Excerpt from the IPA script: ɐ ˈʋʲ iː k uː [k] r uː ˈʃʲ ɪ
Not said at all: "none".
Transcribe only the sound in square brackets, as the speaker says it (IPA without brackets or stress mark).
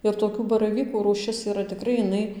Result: none